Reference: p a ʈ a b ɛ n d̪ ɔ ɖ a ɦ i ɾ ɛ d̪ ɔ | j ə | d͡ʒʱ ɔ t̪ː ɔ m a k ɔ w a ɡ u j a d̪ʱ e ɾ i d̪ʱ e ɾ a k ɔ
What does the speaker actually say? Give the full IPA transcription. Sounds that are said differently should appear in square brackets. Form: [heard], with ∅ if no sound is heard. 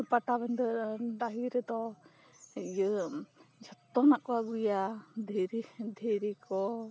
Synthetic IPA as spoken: p a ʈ a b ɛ n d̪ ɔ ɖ a ɦ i ɾ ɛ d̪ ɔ | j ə | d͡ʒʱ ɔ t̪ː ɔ [n] a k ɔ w a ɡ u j a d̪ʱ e ɾ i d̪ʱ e ɾ [i] k ɔ